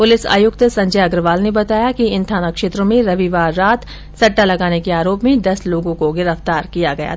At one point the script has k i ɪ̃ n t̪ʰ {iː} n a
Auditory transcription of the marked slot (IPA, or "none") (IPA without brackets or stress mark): aː